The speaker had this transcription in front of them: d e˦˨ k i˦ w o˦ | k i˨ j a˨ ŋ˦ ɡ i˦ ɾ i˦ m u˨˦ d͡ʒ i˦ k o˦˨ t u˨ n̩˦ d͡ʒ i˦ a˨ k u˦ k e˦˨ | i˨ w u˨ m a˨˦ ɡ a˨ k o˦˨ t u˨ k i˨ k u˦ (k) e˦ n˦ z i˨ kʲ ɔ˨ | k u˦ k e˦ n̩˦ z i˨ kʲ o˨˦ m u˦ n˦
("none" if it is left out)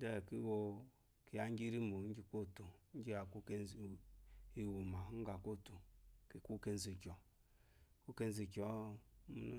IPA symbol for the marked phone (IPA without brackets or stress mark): k